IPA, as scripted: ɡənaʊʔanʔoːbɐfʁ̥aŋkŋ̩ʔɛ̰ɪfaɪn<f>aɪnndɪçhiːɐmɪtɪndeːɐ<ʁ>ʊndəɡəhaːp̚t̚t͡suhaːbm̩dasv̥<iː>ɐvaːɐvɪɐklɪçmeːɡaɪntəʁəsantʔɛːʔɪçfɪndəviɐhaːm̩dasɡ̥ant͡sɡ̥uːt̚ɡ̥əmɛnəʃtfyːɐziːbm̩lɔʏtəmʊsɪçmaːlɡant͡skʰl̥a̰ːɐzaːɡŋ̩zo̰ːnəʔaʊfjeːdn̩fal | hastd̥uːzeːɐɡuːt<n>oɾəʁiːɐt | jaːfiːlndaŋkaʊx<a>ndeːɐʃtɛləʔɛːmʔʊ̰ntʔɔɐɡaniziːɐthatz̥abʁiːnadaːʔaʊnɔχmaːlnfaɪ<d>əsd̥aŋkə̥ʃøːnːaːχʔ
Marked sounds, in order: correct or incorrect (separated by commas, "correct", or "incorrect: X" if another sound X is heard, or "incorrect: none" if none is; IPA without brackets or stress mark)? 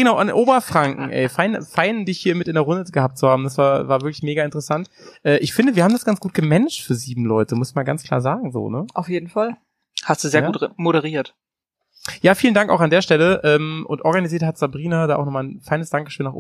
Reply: correct, correct, incorrect: aː, incorrect: m, correct, incorrect: n